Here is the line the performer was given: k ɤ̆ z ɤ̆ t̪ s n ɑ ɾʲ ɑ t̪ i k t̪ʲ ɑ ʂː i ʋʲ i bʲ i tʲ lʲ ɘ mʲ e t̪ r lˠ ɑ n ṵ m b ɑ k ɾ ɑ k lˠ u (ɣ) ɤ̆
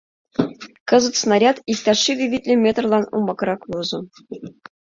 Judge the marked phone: incorrect: z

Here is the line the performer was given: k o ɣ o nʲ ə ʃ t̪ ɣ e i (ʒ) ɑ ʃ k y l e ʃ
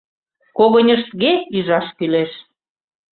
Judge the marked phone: correct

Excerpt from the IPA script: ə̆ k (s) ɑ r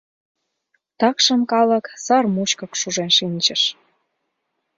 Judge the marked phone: correct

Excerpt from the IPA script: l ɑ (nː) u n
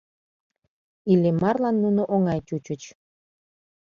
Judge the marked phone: correct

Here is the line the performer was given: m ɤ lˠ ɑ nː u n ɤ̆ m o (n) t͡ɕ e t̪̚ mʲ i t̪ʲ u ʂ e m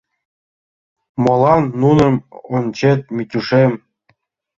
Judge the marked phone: correct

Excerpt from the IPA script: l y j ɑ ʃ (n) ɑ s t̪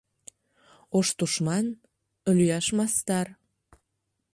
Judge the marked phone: incorrect: m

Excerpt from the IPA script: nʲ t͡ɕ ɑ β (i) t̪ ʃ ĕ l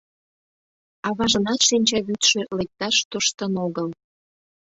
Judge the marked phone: incorrect: y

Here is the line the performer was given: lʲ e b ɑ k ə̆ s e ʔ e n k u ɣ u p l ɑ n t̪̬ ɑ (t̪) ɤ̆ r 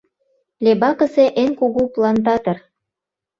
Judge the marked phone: correct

